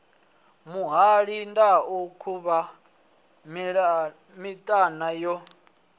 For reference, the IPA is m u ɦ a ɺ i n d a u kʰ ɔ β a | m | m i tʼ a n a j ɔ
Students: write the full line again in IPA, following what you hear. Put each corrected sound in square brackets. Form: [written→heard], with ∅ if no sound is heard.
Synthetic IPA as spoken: m u ɦ a ɺ i n d a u kʰ [ɔ→u] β a | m | m i tʼ a n a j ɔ